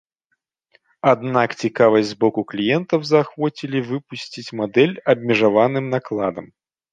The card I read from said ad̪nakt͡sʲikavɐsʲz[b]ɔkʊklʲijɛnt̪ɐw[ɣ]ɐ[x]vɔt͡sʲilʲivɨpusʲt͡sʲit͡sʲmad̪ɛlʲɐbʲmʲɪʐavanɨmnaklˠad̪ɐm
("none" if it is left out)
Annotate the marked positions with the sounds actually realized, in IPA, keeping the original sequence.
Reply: b, z, x

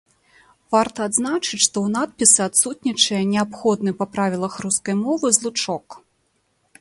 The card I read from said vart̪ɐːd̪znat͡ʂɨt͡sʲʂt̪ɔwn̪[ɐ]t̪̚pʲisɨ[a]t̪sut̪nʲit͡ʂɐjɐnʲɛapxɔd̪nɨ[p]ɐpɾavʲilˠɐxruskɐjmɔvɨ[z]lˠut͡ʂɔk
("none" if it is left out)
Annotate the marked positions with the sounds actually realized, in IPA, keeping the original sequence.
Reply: a, a, p, z

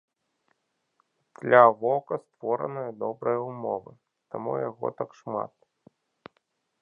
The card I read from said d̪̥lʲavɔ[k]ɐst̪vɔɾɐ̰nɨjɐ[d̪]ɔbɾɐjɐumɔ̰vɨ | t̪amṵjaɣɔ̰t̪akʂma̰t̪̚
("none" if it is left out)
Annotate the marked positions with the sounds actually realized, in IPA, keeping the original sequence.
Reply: k, d̪

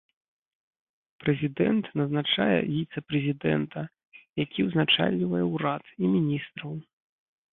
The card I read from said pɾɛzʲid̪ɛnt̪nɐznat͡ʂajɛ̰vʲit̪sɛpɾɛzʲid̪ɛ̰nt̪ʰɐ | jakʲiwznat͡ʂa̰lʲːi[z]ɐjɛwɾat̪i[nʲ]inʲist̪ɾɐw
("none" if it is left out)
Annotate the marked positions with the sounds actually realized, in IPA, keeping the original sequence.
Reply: v, mʲ

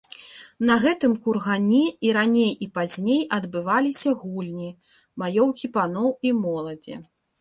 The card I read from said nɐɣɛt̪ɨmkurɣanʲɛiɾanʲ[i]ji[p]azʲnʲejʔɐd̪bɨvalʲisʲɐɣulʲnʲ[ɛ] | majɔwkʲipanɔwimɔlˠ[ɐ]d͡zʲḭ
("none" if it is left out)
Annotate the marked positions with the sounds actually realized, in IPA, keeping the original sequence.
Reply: e, p, i, ɐ

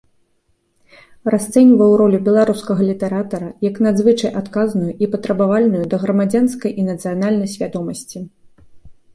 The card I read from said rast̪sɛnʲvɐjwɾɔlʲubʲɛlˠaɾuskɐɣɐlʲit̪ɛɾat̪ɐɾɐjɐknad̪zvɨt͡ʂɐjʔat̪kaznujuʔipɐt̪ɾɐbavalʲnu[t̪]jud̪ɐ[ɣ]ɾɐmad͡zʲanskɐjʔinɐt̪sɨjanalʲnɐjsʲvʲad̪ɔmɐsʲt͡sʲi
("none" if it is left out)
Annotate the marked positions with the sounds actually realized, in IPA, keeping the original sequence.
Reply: none, ɣ

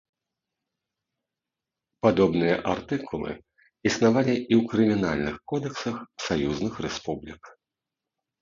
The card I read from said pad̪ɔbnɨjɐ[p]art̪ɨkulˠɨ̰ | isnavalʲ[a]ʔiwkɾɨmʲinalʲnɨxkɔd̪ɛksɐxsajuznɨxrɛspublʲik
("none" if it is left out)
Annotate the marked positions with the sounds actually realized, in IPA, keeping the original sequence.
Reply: ʔ, i

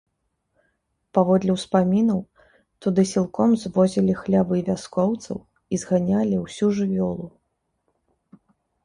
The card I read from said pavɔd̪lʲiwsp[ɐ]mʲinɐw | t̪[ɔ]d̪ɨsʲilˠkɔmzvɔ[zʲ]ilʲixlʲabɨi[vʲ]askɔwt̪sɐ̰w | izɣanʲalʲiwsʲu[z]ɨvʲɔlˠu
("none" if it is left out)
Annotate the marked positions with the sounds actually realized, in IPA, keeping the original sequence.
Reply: a, u, zʲ, vʲ, ʐ

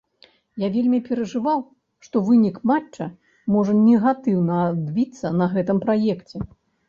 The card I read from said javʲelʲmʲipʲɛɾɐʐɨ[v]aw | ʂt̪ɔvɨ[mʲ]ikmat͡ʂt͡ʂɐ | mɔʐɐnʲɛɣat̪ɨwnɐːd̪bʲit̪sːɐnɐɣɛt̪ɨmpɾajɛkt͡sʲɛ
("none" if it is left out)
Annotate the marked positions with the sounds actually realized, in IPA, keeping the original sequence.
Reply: v, nʲ

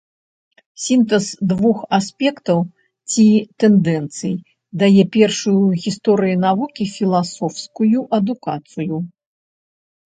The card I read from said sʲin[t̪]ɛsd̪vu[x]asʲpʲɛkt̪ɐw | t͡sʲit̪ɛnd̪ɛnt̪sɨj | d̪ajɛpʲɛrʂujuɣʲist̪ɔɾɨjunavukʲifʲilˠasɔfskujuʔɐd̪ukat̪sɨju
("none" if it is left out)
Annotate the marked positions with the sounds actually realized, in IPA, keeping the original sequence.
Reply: t̪, x

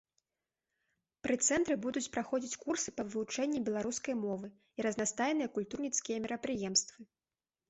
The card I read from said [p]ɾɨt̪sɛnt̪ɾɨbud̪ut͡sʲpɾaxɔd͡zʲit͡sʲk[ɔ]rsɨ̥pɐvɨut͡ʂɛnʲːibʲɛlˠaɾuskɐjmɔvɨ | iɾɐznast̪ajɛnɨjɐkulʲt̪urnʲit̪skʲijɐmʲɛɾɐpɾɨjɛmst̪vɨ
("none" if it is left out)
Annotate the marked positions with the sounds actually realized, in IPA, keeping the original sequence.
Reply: p, u

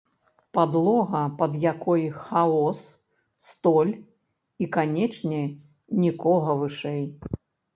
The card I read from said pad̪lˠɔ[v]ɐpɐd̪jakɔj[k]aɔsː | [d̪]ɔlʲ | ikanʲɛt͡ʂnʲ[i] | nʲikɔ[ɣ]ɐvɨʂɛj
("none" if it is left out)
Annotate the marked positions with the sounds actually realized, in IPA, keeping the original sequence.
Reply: ɣ, x, t̪, ɛ, ɣ

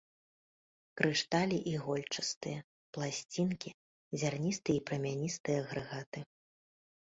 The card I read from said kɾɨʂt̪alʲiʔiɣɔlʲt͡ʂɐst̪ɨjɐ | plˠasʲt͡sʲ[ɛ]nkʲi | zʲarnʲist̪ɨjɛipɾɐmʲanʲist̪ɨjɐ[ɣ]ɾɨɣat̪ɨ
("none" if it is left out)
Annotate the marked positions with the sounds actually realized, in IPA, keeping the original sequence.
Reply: i, ɣ

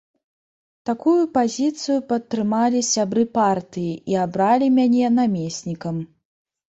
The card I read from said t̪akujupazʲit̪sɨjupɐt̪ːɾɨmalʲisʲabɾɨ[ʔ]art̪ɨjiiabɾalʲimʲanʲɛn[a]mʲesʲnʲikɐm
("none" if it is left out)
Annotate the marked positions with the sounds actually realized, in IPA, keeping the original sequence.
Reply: p, a

